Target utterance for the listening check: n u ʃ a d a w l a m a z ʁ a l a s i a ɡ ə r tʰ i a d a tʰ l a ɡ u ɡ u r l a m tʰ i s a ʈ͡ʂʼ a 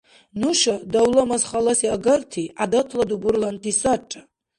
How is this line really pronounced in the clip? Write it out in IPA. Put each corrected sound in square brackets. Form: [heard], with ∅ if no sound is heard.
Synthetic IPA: n u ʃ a d a w l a m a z [χ] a l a s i a ɡ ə r tʰ i a d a tʰ l a [d] u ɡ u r l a [n] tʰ i s a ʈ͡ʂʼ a